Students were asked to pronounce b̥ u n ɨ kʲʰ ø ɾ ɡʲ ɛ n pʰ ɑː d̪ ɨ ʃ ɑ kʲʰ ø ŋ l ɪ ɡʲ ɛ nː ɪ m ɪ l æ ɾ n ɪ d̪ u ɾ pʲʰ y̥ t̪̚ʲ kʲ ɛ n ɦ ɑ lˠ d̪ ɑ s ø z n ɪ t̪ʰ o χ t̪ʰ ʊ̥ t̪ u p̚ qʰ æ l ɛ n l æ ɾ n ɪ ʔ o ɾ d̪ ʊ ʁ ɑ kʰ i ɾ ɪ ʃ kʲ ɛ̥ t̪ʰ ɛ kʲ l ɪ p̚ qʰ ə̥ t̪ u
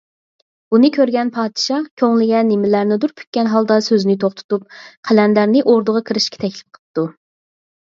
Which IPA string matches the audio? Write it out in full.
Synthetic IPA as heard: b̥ u n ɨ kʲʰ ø ɾ ɡʲ ɛ n pʰ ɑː d̪ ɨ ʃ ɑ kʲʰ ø ŋ l ɪ ɡʲ ɛ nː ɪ m ɪ l æ ɾ n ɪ d̪ u ɾ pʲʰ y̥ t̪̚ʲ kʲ ɛ n ɦ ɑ lˠ d̪ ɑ s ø z n ɪ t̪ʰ o χ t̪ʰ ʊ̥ t̪ u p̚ qʰ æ l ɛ n l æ ɾ n ɪ ʔ o ɾ d̪ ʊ ʁ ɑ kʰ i ɾ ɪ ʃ kʲ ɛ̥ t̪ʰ ɛ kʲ l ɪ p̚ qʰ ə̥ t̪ u